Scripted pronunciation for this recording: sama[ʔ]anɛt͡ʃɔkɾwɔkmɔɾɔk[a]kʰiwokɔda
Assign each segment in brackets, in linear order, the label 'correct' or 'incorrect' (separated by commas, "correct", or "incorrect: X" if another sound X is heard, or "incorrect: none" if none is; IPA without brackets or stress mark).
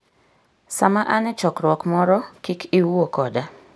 correct, incorrect: i